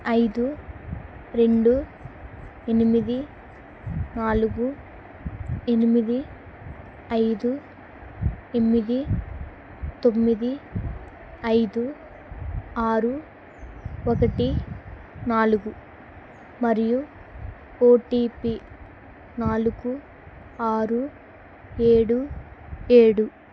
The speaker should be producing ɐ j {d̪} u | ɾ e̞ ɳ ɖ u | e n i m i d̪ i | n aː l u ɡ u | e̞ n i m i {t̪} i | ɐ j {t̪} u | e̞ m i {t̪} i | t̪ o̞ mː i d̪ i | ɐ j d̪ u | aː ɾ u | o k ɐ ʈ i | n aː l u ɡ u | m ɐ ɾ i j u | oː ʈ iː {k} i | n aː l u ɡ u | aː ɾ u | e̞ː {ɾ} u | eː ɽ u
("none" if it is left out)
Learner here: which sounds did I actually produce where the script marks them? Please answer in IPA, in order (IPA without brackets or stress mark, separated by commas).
d̪, d̪, d̪, d̪, p, ɽ